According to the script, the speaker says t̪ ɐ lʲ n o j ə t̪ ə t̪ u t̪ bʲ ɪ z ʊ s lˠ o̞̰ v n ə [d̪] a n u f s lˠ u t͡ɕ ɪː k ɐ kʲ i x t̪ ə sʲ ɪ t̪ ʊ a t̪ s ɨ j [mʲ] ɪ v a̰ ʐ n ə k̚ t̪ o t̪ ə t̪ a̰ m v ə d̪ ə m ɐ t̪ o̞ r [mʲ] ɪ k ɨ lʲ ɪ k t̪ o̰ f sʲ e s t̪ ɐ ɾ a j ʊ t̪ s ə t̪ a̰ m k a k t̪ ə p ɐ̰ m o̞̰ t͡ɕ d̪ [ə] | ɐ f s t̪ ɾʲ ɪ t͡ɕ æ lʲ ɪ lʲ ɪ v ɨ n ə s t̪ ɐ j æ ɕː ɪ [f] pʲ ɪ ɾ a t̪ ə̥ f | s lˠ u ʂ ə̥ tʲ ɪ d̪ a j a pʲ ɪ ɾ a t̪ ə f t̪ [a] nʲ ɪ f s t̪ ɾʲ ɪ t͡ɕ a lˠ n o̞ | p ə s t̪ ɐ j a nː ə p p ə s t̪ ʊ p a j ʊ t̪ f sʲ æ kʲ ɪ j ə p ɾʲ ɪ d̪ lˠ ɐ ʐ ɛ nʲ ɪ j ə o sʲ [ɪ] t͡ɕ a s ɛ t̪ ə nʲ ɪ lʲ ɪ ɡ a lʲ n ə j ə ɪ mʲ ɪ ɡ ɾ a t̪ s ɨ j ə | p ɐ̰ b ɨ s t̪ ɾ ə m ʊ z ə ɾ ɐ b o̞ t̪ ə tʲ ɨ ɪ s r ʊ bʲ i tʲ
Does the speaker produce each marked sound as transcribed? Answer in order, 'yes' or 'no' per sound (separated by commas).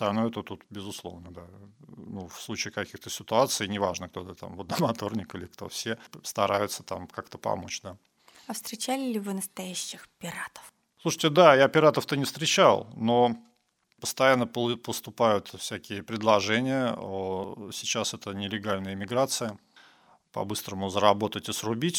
yes, no, no, no, no, no, yes